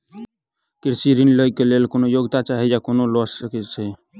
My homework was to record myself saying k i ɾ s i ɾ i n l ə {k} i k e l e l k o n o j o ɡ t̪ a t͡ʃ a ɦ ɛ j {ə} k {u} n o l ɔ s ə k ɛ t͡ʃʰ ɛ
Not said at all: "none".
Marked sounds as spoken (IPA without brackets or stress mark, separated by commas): none, a, o